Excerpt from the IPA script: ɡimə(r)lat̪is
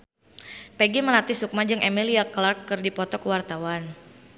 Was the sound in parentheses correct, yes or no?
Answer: no